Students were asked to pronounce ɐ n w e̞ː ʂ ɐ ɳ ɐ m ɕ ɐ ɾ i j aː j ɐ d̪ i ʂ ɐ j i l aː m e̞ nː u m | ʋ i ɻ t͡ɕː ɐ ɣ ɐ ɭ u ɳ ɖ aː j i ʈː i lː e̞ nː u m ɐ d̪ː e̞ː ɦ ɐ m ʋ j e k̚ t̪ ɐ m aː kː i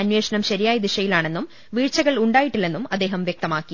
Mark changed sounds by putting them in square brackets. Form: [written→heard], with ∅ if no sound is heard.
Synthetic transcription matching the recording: ɐ n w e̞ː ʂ ɐ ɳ ɐ m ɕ ɐ ɾ i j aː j ɐ d̪ i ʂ ɐ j i l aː [m→ɳ] e̞ nː u m | ʋ [i→iː] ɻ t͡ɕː ɐ ɣ ɐ ɭ u ɳ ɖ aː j i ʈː i lː e̞ nː u m ɐ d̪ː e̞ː ɦ ɐ m ʋ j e k̚ t̪ ɐ m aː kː i